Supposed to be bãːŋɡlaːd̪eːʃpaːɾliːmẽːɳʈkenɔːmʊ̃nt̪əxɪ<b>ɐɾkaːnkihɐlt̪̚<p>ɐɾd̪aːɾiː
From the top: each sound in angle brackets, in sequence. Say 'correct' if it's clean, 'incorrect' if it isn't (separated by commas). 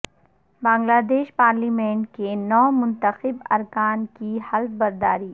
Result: correct, incorrect